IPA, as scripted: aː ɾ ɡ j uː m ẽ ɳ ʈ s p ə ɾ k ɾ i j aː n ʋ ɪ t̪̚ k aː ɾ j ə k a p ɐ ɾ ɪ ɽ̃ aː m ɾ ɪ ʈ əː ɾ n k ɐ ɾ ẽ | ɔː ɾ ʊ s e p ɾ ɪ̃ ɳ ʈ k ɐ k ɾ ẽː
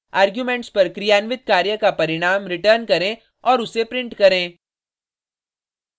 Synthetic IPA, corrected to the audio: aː ɾ ɡ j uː m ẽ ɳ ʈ s p ɐ ɾ k ɾ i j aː n ʋ ɪ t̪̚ k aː ɾ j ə k a p ɐ ɾ ɪ ɽ̃ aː m ɾ ɪ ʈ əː ɾ n k ɐ ɾ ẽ | ɔː ɾ ʊ s e p ɾ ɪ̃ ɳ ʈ k ɐ ɾ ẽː